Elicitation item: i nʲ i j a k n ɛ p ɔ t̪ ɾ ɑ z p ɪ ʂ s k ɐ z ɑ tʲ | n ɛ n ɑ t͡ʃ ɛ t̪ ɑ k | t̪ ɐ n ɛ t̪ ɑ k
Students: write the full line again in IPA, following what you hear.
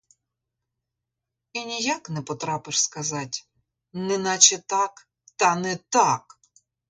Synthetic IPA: i nʲ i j a k n ɛ p ɔ t̪ ɾ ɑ p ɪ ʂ s k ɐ z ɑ tʲ | n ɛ n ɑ t͡ʃ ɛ t̪ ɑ k | t̪ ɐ n ɛ t̪ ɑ k